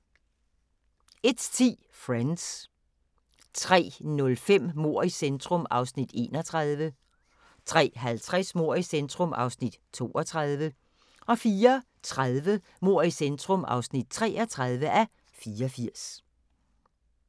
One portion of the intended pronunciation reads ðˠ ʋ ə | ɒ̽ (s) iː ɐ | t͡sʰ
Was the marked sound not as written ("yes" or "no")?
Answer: yes